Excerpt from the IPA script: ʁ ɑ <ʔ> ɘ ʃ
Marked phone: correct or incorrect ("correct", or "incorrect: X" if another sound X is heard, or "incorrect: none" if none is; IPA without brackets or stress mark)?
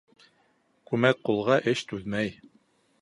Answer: correct